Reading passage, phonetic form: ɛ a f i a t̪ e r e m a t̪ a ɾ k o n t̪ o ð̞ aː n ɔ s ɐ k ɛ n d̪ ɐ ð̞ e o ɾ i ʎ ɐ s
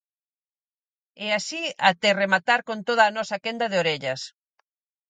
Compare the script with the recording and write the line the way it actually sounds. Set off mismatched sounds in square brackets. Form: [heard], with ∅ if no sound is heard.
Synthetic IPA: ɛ a [s] i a t̪ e r e m a t̪ a ɾ k o n t̪ o ð̞ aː n ɔ s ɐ k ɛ n d̪ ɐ ð̞ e o ɾ [e] ʎ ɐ s